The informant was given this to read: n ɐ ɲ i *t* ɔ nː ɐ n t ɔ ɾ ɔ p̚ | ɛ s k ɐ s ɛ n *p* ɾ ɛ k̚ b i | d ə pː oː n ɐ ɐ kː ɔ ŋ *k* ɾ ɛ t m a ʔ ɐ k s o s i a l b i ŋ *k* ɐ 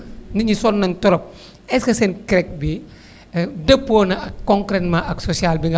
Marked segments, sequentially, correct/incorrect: incorrect, incorrect, correct, incorrect

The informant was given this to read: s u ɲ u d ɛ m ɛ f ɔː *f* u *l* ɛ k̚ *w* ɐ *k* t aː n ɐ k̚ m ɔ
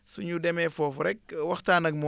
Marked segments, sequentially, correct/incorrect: correct, incorrect, correct, incorrect

